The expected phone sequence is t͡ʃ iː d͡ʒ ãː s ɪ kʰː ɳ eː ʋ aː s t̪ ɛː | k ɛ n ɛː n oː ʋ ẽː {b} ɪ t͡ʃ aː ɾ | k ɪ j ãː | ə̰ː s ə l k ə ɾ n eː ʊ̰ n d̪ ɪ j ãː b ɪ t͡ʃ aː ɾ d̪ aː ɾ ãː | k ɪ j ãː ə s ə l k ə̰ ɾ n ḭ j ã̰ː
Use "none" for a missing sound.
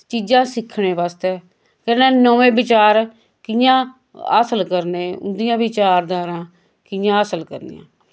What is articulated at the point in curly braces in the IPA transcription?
b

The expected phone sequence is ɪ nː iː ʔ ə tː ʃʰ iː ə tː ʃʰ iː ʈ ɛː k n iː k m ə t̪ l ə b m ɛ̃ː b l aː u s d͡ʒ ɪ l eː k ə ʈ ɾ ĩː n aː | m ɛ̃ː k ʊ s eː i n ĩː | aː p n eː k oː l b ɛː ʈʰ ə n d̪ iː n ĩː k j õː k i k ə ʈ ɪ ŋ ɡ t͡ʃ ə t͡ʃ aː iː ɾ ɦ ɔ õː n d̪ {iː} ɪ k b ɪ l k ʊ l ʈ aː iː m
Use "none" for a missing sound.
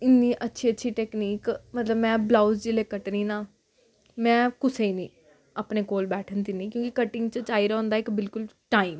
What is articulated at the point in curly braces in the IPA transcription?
aː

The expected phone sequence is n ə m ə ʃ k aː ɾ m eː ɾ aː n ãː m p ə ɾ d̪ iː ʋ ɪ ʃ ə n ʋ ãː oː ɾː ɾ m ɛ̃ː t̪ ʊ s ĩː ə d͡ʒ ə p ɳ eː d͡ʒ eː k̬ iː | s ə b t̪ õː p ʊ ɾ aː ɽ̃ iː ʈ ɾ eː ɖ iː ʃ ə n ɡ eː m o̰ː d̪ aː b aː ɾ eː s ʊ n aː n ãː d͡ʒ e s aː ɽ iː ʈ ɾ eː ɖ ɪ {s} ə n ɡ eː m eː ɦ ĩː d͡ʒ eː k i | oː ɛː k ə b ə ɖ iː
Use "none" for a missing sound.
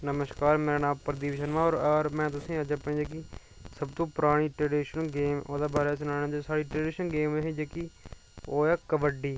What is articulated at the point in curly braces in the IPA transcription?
ʃ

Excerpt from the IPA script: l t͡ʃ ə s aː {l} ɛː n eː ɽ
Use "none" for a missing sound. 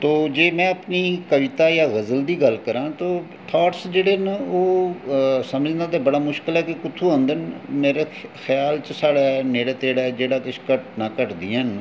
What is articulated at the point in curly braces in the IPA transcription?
ɽ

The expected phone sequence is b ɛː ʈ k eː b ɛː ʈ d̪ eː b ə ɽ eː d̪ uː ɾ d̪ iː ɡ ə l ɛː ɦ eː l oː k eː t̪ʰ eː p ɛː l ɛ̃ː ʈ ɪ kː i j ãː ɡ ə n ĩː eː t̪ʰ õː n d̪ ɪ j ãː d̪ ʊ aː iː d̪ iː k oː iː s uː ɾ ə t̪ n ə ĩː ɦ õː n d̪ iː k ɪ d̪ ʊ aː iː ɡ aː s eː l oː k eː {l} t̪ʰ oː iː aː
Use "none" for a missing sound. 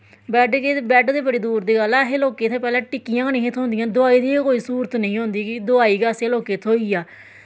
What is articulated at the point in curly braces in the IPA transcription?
none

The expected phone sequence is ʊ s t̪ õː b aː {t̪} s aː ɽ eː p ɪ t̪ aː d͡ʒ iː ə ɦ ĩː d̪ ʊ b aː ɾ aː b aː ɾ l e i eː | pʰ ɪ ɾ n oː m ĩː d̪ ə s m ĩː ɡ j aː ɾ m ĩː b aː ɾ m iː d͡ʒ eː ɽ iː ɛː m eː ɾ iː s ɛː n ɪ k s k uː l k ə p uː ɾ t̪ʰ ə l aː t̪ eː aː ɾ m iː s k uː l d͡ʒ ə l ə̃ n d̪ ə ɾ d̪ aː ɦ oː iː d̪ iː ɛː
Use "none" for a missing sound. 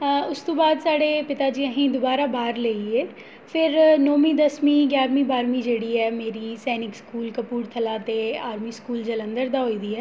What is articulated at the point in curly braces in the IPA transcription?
d̪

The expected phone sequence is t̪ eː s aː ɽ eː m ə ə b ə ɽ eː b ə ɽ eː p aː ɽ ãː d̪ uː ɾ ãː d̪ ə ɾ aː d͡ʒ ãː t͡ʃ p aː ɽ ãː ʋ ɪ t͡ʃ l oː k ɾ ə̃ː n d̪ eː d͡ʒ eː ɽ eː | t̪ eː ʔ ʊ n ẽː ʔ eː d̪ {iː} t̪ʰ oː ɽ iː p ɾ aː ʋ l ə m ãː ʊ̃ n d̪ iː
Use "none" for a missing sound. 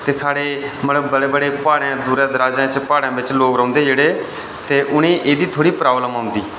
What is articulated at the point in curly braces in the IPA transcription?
iː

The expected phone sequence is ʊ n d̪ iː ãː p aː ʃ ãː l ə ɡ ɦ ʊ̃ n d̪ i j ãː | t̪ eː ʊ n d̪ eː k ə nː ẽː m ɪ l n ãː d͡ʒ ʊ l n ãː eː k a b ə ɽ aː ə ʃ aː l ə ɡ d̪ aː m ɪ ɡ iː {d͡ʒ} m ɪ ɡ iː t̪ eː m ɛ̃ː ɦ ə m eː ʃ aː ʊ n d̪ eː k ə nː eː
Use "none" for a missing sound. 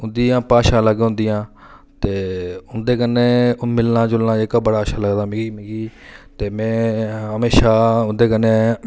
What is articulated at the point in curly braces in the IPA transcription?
none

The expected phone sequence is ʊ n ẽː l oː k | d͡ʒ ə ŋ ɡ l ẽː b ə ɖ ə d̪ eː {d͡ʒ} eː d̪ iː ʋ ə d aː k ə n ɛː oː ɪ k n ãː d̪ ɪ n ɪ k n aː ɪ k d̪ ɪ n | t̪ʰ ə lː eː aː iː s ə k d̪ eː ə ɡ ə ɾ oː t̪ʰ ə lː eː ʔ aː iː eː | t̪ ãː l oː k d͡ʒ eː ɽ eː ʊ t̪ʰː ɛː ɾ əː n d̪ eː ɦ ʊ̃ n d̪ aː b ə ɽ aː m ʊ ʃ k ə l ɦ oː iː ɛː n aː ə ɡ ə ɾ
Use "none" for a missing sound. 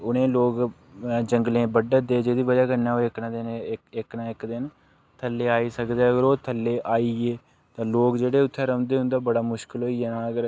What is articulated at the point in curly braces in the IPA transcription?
d͡ʒ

